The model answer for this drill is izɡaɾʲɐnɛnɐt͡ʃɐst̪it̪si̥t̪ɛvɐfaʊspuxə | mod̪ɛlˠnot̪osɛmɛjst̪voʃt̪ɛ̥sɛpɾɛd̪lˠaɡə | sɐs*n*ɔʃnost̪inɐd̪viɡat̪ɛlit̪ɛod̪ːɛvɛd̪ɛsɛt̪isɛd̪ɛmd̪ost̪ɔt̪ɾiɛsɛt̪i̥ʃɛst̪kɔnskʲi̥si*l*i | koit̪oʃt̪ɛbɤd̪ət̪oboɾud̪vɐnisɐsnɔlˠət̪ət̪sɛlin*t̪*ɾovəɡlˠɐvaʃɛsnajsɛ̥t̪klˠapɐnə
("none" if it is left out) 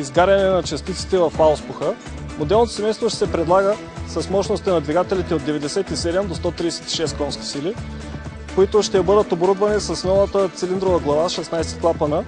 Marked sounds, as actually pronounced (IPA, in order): m, l, d̪

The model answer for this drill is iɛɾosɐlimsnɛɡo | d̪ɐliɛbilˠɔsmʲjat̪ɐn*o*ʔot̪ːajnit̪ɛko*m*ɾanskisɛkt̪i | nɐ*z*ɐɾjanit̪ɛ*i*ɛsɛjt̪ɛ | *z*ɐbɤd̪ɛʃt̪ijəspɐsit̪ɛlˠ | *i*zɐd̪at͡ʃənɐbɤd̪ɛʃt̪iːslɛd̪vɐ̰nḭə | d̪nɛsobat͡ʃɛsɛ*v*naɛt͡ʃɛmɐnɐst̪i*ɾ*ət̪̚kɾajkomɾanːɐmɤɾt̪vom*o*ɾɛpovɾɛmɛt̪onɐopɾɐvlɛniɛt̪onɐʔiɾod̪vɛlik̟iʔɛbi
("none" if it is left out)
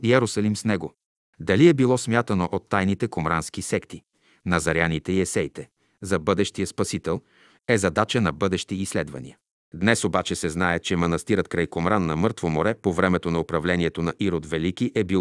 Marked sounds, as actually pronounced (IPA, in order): o, m, z, i, z, ɛ, z, ɾ, o

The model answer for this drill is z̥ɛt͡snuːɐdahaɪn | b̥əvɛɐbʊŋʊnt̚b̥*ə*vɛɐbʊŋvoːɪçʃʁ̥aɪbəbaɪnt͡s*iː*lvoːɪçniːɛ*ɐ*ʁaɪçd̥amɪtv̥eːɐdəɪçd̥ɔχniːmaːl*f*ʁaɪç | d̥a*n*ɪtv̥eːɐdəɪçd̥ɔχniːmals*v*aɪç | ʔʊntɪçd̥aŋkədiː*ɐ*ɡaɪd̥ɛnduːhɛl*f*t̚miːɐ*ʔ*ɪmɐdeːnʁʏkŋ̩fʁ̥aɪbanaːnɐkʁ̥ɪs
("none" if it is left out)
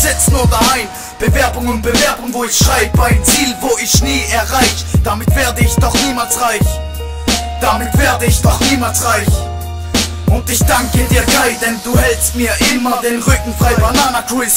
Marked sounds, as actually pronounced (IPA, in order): ə, iː, ɐ, s, m, ʁ, ɐ, s, ʔ

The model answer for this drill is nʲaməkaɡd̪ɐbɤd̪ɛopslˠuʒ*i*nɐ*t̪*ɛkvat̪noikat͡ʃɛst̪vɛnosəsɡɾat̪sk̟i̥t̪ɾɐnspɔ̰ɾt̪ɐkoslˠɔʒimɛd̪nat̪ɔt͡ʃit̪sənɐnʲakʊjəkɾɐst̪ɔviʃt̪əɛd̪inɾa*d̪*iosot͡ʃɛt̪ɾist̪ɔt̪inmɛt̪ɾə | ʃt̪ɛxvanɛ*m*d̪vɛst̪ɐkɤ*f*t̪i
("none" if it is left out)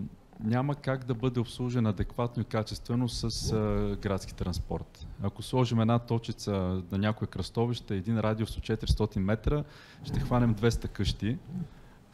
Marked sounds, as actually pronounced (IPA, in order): ɛ, d̪, d̪, m, ʃ

